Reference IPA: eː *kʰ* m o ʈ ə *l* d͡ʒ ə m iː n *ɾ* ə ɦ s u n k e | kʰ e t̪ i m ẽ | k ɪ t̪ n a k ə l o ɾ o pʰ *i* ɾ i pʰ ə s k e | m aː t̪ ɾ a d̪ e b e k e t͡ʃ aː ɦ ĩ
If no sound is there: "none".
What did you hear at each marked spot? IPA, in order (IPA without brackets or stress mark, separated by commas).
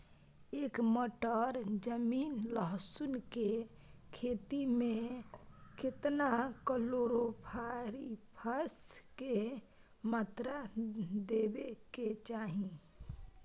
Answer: k, ɾ, l, a